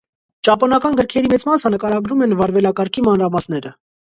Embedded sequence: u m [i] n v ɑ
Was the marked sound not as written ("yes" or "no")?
yes